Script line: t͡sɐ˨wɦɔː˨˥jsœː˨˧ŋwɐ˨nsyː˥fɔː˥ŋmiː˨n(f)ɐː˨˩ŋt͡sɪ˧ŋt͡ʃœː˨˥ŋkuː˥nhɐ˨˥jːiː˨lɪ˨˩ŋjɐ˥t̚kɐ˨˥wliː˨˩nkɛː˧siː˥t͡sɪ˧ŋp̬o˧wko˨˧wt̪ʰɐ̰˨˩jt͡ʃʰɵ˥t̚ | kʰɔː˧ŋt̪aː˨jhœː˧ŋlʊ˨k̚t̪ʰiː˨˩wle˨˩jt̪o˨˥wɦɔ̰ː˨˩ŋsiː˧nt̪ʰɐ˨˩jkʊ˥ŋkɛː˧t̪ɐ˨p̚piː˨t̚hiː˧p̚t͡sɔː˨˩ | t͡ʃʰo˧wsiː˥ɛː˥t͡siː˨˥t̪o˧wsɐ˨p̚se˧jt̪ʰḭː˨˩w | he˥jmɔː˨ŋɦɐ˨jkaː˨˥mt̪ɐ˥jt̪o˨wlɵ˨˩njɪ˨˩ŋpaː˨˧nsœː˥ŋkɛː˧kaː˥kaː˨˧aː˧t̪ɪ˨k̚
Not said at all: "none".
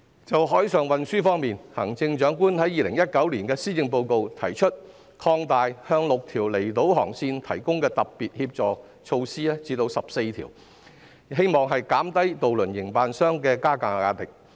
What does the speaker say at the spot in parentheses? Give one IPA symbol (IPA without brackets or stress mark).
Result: h